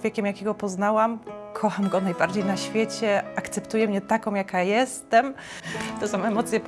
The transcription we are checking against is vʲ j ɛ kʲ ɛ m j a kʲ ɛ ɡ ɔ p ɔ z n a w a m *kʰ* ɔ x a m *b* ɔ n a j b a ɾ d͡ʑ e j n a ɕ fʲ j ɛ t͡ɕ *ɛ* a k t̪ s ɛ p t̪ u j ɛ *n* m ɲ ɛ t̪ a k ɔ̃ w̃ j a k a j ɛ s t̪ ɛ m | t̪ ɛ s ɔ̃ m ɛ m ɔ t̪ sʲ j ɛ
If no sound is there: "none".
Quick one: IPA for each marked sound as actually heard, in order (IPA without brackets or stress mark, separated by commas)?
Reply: kʰ, ɡ, ɛ, none